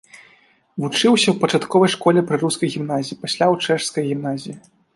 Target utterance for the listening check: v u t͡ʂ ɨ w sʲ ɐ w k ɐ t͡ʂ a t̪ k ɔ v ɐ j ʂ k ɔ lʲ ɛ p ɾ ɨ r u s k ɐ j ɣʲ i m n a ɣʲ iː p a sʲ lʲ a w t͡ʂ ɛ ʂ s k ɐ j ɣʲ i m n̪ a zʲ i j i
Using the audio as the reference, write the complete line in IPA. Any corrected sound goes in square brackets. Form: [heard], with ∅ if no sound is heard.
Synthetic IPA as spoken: v u t͡ʂ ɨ w sʲ ɐ w [p] ɐ t͡ʂ a t̪ k ɔ v ɐ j ʂ k ɔ lʲ ɛ p ɾ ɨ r u s k ɐ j ɣʲ i m n a [zʲ] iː p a sʲ lʲ a w t͡ʂ ɛ ʂ s k ɐ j ɣʲ i m n̪ a zʲ i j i